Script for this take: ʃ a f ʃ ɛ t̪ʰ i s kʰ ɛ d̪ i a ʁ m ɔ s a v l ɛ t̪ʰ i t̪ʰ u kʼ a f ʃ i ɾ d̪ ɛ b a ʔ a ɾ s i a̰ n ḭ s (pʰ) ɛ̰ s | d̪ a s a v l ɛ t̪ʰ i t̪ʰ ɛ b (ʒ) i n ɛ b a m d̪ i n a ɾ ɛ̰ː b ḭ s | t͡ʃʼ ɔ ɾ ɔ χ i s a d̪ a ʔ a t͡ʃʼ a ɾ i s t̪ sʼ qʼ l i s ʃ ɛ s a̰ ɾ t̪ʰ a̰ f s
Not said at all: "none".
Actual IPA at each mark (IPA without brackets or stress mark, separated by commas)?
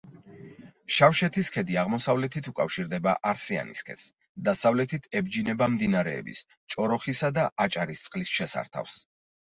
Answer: kʰ, d͡ʒ